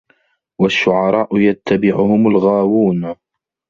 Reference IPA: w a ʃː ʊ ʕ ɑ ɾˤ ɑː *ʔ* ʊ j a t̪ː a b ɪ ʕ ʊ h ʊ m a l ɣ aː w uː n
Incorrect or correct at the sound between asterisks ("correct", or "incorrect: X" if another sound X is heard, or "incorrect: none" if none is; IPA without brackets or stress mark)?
correct